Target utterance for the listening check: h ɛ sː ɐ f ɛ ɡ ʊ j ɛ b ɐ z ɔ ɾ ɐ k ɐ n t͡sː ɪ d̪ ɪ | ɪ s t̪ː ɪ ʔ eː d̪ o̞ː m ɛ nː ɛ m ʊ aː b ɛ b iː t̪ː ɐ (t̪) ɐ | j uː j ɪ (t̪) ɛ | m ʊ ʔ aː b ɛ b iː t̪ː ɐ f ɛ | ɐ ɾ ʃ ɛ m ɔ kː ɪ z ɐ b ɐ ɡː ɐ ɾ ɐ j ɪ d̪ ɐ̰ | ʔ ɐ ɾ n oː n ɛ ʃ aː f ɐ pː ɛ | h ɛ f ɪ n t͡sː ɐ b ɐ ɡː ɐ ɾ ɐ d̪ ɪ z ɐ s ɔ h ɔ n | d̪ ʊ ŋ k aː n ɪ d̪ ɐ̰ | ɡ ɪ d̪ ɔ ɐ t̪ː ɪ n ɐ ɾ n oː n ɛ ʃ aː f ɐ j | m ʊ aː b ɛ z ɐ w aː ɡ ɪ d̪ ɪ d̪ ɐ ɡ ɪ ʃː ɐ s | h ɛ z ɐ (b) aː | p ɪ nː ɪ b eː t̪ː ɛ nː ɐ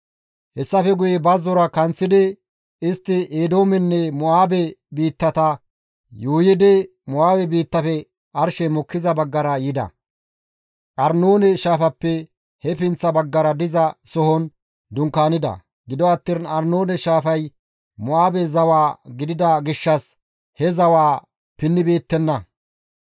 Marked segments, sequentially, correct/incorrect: correct, incorrect: d̪, incorrect: w

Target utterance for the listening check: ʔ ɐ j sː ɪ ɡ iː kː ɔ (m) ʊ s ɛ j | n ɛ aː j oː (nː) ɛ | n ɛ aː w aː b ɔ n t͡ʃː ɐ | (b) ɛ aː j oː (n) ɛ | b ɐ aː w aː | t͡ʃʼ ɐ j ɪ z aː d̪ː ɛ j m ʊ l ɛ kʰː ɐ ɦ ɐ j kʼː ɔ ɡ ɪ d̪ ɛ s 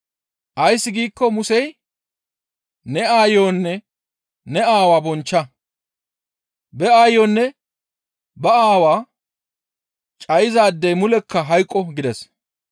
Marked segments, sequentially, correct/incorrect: correct, correct, correct, incorrect: nː

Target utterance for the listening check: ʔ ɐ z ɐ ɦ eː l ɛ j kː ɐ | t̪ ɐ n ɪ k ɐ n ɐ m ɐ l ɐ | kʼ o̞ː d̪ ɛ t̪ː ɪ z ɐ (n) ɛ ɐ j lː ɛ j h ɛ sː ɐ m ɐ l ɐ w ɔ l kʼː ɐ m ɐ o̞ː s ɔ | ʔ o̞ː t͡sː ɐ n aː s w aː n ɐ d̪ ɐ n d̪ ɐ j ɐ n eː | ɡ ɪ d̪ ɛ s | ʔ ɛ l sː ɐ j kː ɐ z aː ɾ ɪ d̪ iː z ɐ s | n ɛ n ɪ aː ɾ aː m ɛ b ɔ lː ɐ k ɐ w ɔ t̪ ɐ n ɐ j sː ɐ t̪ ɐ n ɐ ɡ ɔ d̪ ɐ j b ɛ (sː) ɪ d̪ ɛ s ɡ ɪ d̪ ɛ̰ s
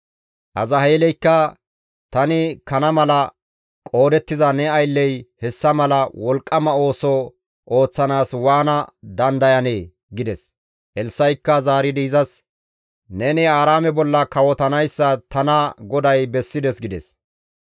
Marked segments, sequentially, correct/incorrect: correct, correct

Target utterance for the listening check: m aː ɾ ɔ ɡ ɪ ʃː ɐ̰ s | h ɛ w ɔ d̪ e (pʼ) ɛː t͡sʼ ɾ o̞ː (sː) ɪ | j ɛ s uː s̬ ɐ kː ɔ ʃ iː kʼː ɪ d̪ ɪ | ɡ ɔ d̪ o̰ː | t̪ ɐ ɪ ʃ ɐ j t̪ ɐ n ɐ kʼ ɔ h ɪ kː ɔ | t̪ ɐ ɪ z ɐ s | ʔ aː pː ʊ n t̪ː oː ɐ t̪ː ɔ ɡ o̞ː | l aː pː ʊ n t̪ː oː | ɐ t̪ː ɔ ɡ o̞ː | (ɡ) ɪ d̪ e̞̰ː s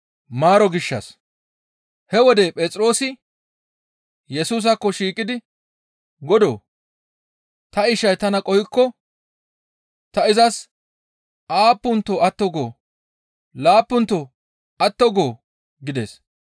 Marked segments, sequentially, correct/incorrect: correct, incorrect: s, correct

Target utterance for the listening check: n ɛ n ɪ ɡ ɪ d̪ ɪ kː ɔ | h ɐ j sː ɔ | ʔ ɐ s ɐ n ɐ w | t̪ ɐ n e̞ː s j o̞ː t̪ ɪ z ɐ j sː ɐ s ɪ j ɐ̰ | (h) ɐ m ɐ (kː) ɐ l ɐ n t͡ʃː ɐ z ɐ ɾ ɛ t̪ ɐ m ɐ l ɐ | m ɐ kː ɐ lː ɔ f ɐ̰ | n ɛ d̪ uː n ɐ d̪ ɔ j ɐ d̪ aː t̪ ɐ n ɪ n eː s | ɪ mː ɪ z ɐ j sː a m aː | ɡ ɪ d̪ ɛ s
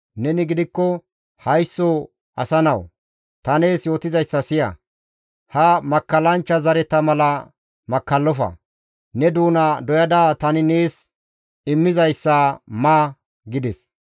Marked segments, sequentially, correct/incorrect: correct, correct

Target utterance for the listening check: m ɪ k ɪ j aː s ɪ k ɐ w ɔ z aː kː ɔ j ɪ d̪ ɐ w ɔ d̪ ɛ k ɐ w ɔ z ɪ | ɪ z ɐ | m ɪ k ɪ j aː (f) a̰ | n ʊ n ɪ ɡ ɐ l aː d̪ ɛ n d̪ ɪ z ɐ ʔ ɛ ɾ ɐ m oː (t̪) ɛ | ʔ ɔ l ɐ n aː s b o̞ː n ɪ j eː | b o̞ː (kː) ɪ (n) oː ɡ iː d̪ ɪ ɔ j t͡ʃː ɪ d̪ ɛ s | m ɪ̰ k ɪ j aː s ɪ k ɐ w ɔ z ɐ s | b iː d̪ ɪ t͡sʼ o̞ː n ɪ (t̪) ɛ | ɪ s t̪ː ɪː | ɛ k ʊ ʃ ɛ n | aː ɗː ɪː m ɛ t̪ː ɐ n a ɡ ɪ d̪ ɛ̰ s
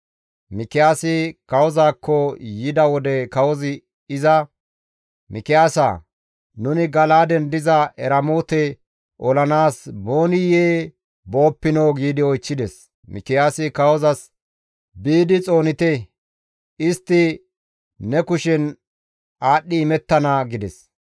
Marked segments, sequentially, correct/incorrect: incorrect: s, correct, incorrect: pː, correct, correct

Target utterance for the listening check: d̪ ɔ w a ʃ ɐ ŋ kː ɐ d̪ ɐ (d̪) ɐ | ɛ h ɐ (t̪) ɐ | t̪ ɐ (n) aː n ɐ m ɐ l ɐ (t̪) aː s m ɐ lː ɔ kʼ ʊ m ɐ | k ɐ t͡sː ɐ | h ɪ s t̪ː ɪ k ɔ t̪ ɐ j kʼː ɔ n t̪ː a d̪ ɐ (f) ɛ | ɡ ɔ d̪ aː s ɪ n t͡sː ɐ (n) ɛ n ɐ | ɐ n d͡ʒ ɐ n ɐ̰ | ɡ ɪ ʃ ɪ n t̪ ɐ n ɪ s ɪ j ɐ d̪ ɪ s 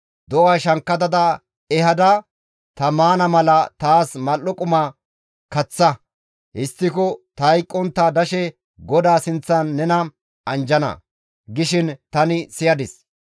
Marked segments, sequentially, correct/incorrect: correct, incorrect: d̪, incorrect: m, correct, incorrect: ʃ, incorrect: nː

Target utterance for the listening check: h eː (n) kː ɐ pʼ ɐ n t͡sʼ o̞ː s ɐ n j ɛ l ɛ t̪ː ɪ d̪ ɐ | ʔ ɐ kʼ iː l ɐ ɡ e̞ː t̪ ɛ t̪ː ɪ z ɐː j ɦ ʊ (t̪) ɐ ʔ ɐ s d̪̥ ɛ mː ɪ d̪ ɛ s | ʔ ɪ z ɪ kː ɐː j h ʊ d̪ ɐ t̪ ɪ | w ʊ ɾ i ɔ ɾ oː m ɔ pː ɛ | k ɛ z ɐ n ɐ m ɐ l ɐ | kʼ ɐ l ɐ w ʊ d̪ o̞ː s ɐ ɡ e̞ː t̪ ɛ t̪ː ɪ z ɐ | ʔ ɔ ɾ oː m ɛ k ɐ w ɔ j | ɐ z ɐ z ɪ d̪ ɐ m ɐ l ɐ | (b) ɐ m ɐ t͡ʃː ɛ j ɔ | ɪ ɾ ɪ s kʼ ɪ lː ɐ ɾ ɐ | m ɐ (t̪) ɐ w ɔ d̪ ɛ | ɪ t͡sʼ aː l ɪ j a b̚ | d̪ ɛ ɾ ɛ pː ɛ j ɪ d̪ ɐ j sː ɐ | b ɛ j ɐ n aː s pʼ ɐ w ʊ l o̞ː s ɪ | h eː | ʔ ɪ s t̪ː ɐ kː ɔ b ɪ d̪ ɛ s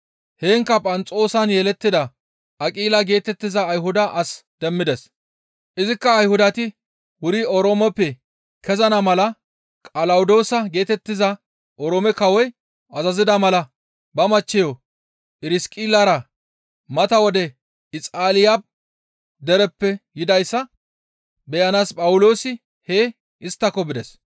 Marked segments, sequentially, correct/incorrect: incorrect: ŋ, incorrect: d̪, correct, correct

